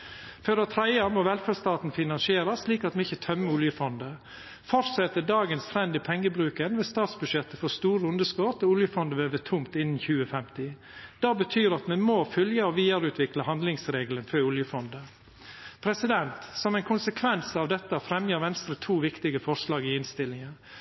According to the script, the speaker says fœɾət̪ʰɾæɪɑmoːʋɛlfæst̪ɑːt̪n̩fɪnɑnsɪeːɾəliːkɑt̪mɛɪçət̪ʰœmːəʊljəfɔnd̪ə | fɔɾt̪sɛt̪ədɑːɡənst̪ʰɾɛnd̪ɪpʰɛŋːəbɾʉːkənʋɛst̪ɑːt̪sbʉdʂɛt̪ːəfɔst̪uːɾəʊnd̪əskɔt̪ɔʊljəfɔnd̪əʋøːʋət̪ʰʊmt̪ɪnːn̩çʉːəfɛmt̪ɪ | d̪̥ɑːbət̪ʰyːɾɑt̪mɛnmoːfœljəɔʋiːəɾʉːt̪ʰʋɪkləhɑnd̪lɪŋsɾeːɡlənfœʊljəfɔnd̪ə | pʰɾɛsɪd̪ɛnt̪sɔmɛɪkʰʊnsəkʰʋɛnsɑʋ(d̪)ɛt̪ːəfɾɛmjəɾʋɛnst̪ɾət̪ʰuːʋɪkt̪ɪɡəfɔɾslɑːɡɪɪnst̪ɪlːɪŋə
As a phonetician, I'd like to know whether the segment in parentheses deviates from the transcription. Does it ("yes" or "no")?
no